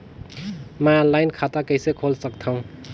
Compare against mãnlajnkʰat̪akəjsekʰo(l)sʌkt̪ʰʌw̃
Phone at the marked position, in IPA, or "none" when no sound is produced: l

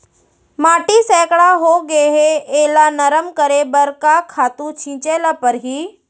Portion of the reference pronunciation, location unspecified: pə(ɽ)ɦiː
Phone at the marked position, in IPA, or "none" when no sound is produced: ɾ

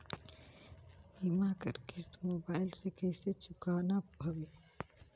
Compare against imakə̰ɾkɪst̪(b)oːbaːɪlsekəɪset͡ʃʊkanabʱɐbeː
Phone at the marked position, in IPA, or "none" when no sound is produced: m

